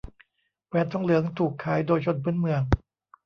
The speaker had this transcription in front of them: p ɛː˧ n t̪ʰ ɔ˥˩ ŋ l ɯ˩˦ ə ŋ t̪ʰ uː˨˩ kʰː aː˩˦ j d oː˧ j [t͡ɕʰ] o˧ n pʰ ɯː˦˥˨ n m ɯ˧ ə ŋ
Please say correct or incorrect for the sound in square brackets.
correct